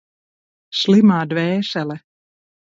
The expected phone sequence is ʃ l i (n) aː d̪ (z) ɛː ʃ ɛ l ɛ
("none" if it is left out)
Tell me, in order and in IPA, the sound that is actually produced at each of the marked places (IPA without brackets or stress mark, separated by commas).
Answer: m, v